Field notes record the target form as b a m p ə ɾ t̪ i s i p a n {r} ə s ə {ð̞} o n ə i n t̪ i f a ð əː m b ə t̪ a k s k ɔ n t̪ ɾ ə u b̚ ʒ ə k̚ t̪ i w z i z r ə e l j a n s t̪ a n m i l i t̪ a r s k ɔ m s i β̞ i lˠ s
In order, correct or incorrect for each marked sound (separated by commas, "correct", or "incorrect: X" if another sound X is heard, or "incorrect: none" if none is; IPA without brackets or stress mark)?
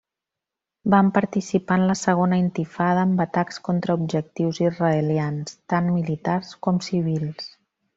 incorrect: l, incorrect: ɣ̞